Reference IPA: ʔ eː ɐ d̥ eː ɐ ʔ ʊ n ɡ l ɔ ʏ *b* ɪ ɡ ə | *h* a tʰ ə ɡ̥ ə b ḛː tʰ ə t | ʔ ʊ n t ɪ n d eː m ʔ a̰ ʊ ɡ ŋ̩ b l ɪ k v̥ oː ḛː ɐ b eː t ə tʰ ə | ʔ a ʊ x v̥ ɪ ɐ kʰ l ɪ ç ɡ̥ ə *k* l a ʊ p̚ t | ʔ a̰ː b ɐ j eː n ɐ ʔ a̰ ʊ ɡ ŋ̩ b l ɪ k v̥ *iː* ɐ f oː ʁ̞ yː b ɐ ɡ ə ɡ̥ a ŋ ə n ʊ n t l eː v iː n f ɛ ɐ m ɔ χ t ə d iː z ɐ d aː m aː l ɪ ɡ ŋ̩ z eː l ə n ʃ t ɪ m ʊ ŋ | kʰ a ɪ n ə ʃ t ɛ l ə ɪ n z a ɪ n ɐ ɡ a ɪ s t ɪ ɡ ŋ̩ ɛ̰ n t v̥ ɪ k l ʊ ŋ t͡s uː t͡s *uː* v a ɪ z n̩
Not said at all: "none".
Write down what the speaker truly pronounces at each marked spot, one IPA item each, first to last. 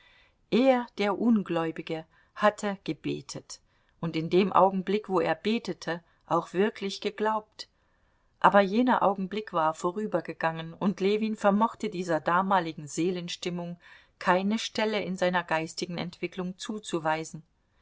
b, h, ɡ, aː, u

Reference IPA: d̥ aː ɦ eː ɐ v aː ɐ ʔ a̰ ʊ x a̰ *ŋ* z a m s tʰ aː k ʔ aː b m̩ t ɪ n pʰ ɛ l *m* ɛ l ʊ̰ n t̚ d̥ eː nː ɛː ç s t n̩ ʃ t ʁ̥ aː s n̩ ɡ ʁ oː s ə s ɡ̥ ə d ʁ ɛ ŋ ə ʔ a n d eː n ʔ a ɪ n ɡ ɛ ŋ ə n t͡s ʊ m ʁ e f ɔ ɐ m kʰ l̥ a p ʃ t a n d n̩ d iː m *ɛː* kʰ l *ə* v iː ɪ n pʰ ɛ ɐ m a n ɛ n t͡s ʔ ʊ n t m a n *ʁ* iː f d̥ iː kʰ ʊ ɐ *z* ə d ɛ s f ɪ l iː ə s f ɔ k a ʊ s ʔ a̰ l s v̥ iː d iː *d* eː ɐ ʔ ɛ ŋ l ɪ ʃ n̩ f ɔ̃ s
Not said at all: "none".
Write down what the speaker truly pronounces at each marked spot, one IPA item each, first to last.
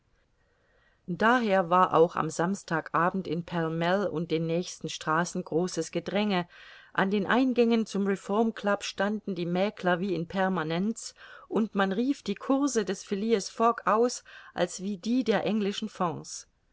m, m, ɛː, ɐ, ʁ, z, d

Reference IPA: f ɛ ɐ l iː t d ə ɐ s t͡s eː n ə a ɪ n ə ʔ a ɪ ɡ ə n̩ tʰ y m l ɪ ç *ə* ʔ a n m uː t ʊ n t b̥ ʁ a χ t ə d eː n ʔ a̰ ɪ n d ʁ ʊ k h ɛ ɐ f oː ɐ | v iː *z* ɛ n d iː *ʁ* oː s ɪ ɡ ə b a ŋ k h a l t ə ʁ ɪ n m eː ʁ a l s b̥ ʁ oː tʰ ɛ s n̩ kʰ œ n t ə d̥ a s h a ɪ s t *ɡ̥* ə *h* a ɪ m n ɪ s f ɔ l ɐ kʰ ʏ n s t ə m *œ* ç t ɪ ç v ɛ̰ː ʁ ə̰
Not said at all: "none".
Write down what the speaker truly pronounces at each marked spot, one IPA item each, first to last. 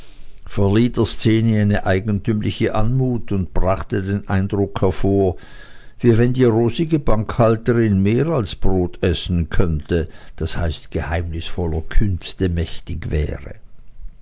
ə, v, ʁ, ɡ̥, h, ɛ

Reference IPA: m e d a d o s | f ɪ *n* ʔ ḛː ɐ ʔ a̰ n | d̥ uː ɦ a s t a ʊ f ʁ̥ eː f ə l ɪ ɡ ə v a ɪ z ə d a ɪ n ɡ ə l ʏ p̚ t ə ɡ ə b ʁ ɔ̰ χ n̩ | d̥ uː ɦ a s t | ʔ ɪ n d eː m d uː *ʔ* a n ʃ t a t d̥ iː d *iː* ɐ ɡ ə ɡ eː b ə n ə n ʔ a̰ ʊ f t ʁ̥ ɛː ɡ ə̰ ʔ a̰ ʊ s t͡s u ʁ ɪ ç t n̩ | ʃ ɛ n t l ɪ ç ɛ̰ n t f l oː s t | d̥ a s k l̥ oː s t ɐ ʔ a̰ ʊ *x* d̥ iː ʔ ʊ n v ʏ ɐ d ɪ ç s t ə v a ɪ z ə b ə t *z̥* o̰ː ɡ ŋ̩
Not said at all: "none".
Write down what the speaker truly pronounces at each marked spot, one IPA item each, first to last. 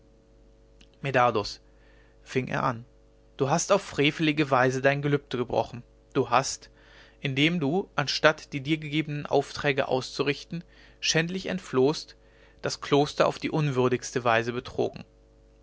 ŋ, ʔ, iː, f, ʁ̥

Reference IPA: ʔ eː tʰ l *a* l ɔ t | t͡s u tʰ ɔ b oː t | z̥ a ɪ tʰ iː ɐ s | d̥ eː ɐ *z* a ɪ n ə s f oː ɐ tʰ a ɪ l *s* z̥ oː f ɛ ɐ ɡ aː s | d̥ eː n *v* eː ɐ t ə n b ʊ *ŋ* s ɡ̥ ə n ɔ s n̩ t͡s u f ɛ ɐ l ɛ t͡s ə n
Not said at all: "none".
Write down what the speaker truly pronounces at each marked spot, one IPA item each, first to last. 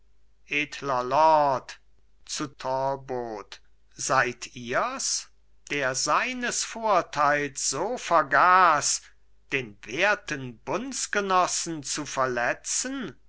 ɐ, z, s, v, n

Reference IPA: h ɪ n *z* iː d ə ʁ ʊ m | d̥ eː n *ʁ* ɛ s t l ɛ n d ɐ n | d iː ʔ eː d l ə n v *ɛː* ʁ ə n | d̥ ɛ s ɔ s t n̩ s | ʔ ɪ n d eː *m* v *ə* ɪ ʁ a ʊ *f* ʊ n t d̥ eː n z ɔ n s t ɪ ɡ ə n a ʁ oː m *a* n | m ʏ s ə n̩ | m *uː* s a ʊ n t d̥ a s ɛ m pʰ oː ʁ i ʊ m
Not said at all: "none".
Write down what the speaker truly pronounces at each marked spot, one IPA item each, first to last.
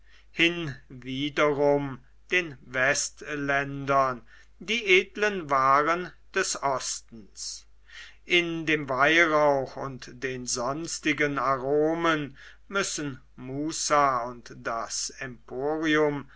v, v, aː, m, a, x, ə, uː

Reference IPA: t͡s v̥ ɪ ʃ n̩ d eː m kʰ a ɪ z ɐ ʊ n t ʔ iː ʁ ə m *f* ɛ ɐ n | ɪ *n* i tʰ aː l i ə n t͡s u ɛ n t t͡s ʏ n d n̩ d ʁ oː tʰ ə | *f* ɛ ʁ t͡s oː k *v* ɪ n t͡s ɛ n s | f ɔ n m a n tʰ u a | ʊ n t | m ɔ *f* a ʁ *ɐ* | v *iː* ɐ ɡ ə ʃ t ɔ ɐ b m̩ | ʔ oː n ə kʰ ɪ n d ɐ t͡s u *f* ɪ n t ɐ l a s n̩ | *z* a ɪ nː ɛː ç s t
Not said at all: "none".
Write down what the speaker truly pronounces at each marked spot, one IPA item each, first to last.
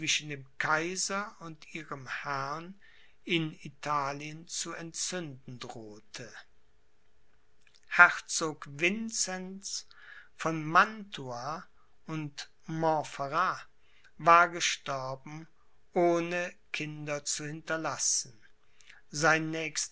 h, n, h, v, f, a, aː, h, z

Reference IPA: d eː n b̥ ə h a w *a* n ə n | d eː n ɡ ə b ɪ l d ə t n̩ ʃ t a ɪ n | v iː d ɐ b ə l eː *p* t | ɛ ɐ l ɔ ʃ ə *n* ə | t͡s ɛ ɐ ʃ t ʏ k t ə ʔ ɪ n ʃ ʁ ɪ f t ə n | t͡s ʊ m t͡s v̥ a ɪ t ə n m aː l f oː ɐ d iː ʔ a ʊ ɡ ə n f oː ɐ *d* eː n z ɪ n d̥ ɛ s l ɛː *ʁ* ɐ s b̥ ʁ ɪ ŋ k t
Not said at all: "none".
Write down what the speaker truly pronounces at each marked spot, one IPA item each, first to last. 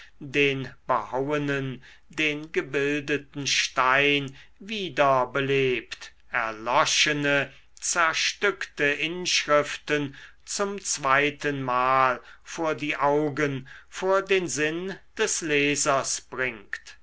ə, p, n, d, z

